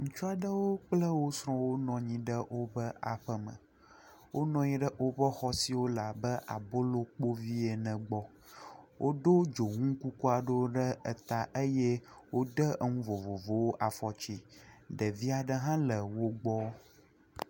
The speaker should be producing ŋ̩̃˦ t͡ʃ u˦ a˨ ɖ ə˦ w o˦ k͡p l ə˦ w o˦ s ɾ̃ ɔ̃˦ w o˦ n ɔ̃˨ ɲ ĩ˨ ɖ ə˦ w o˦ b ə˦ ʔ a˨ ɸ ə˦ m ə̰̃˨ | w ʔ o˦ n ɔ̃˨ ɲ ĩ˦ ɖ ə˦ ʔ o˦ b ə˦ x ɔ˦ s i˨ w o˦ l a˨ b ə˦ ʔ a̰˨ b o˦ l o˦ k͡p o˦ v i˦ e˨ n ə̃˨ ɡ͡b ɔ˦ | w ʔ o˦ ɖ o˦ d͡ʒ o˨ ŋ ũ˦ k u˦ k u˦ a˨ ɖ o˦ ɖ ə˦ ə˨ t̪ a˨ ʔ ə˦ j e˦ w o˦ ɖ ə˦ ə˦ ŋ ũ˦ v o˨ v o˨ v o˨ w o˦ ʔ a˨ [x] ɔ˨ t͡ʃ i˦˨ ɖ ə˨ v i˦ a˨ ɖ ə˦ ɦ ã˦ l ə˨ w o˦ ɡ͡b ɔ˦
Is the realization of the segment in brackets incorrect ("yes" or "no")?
yes